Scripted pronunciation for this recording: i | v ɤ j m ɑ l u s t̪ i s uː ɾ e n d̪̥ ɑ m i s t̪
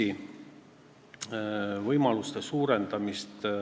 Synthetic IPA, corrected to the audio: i | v ɤ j m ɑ l u s t̪ e s uː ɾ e n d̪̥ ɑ m i s t̪